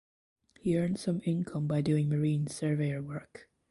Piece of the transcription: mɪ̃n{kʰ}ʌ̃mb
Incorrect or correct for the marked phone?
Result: correct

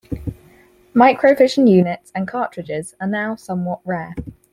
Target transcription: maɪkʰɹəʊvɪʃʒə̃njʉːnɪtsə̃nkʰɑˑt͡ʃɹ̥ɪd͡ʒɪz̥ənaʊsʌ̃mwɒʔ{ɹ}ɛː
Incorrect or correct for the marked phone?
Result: correct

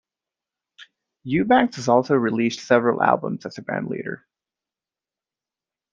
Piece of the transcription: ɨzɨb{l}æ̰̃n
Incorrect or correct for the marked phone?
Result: incorrect: ɹ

